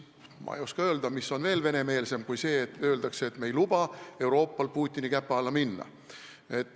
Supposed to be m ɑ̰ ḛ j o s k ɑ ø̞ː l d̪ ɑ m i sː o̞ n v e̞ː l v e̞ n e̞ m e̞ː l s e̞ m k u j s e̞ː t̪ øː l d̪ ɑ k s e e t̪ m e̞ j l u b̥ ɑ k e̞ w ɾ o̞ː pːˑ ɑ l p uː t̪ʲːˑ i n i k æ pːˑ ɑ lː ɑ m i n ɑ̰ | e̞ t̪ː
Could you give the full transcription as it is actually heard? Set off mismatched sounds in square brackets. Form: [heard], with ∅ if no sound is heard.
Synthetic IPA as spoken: m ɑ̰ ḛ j o s k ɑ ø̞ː l d̪ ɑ m i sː o̞ n v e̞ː l v e̞ n e̞ m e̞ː l s e̞ m k u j s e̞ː t̪ øː l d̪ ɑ k s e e t̪ m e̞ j l u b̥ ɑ [∅] e̞ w ɾ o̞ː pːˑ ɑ l p uː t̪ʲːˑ i n i k æ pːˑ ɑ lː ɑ m i [nː] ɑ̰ | e̞ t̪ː